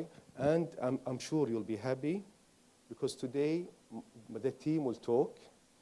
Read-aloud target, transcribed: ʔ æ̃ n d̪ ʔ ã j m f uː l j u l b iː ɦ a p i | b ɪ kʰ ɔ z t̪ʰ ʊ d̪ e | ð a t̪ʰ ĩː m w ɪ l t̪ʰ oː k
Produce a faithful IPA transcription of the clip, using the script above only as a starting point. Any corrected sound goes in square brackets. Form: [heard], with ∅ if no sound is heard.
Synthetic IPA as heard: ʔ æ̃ n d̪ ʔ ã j m [ʃ] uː [ɾ] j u l b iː ɦ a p i | b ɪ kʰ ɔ z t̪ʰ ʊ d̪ e | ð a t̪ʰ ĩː m w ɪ l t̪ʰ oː k